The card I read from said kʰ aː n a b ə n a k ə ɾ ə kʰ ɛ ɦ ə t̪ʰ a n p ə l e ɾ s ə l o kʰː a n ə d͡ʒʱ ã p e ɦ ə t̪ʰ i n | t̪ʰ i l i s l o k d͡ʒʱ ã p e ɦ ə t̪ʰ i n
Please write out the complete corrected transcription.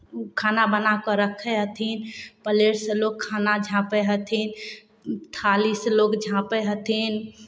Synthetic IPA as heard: kʰ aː n a b ə n a k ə ɾ ə kʰ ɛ ɦ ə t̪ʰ i n p ə l e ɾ s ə l o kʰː a n a d͡ʒʱ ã p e ɦ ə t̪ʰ i n | t̪ʰ a l i s l o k d͡ʒʱ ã p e ɦ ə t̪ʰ i n